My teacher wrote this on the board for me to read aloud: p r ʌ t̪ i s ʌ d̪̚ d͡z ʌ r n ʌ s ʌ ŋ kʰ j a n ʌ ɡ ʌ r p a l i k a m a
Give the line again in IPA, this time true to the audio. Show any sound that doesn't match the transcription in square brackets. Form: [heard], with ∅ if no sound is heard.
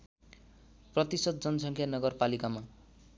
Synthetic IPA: p r ʌ t̪ i s ʌ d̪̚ d͡z ʌ [∅] n ʌ s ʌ ŋ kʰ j a n ʌ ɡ ʌ r p a l i k a m a